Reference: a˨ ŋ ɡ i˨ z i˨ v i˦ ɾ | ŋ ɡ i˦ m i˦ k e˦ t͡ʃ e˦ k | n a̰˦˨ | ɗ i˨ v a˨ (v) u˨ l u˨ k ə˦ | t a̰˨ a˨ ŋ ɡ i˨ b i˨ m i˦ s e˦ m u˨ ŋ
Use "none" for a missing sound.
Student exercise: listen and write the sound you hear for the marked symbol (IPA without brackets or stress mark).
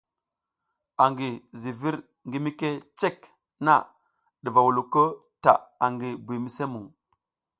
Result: w